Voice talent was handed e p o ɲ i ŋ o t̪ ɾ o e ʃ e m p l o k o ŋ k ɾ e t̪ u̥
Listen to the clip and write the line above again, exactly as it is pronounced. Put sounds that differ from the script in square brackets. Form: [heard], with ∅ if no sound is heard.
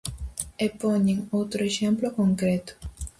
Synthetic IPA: e p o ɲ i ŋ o t̪ ɾ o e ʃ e m p l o k o ŋ k ɾ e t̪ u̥